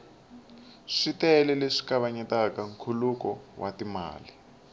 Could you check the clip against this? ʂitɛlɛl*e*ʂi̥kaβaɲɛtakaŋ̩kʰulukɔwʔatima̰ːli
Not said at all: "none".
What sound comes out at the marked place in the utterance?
e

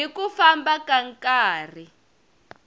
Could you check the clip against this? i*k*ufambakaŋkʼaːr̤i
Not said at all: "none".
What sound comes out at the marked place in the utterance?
k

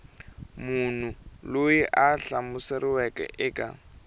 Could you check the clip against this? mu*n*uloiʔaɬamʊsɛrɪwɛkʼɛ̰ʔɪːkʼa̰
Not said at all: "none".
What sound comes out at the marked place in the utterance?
n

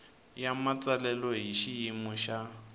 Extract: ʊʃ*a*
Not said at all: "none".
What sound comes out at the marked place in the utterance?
a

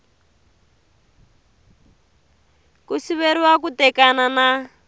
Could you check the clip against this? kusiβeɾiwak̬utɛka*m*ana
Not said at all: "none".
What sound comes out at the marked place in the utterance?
n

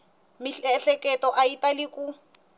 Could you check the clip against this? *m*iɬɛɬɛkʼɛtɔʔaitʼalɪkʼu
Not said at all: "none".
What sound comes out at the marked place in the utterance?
m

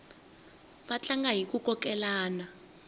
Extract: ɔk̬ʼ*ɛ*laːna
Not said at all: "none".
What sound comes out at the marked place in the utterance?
ɛ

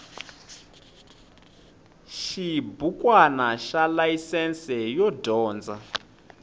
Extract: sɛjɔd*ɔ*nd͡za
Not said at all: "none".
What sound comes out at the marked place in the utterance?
ɔː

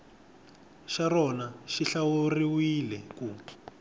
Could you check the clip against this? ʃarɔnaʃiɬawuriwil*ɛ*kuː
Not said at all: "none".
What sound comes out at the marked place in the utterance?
ɛ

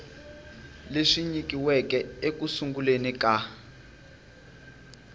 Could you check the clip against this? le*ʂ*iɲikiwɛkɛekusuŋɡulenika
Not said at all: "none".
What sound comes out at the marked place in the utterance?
ʂ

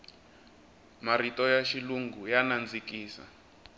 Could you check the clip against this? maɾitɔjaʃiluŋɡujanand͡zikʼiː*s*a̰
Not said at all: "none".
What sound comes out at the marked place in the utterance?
s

